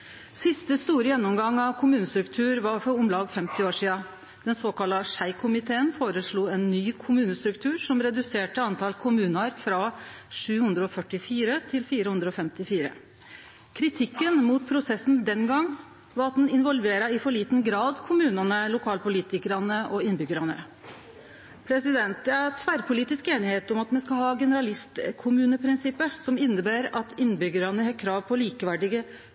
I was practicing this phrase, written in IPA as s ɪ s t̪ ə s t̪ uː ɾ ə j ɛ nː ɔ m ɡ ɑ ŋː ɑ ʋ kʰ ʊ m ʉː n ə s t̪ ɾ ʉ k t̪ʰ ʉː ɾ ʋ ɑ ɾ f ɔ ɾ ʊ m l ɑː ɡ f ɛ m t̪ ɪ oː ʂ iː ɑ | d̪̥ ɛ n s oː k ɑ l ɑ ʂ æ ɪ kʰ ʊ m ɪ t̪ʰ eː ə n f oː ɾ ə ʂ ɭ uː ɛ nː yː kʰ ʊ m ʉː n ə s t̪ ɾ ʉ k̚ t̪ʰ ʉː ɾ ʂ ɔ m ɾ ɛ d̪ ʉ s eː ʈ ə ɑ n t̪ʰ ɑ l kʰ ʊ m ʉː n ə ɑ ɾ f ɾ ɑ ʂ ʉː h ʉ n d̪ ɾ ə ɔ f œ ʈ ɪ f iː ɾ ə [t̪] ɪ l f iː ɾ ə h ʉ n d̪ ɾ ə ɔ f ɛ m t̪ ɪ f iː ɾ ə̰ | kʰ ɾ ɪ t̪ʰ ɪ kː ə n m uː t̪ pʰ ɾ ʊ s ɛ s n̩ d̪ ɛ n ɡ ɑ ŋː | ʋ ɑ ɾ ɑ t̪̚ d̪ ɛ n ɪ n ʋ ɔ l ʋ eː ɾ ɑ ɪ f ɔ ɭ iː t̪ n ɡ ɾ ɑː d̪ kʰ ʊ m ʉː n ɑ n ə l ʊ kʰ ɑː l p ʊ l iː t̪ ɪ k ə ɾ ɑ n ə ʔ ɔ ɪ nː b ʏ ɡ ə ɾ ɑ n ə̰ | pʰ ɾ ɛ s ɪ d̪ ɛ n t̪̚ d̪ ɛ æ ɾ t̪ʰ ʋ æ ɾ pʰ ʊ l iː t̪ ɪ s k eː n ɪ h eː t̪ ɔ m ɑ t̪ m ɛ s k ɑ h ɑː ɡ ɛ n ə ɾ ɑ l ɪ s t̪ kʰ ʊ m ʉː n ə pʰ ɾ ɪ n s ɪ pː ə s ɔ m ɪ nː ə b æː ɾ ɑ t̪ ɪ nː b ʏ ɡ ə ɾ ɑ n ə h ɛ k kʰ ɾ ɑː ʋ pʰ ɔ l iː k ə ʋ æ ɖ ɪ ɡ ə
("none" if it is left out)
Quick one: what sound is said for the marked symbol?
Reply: t̪ʰ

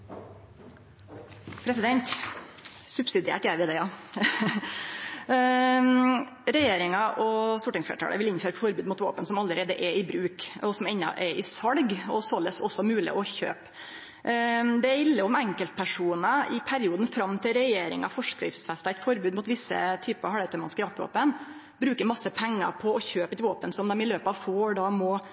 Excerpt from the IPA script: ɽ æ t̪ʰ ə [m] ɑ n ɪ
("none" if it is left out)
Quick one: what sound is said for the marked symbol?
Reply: m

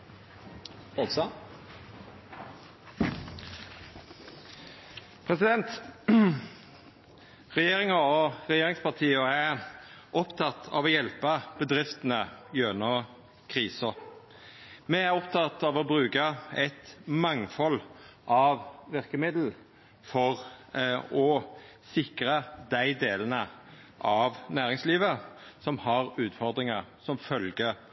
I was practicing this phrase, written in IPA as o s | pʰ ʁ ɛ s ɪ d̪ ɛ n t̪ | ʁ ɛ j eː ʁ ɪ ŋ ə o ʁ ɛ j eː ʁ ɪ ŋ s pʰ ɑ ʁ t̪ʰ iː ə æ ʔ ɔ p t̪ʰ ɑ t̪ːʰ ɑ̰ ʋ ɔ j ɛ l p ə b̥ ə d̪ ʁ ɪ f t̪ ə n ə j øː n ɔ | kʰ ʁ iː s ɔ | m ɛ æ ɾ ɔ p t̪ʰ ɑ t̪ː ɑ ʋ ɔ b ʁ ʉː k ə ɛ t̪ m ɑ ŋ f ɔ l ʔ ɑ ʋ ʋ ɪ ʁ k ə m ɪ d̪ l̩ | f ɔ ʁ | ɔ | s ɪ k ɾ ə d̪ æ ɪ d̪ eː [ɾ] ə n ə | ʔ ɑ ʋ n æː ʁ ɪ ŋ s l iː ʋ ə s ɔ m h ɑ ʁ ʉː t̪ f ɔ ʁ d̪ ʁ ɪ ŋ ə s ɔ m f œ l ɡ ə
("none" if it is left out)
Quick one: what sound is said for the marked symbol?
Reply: l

